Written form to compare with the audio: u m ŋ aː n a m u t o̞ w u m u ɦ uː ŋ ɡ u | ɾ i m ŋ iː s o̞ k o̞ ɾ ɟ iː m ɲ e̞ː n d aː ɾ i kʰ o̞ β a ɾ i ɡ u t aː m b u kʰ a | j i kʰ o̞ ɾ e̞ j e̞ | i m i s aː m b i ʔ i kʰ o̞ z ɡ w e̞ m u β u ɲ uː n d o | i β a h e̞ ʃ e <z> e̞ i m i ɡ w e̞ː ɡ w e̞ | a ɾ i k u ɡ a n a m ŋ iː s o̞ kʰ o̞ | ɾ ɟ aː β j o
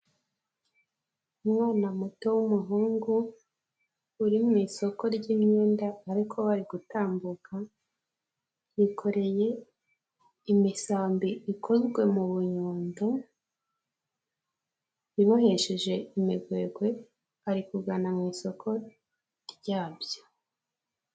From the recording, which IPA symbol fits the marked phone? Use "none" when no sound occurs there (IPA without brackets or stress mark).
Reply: ʒ